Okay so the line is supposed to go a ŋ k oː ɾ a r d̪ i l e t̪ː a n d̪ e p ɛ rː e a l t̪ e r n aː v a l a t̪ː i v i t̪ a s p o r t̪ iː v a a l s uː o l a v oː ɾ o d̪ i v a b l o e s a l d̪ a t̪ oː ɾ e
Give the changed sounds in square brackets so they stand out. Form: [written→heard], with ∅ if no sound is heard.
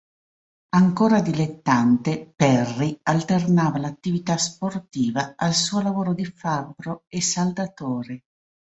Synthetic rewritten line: a ŋ k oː ɾ a [r→∅] d̪ i l e t̪ː a n [d̪→t̪] e p ɛ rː [e→i] a l t̪ e r n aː v a l a t̪ː i v i t̪ a s p o r t̪ iː v a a l s uː o l a v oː ɾ o d̪ i [v→f] a b [l→ɾ] o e s a l d̪ a t̪ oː ɾ e